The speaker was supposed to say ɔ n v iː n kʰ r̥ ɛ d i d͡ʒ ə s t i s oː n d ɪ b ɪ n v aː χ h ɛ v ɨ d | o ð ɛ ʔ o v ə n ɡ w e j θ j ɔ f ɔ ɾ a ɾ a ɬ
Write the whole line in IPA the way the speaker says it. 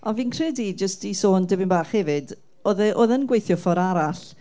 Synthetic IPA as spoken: ɔ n v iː n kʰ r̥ ɛ d i d͡ʒ ə s t i s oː n d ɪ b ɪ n b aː χ h ɛ v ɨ d | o ð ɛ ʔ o ð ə n ɡ w e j θ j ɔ f ɔ ɾ a ɾ a ɬ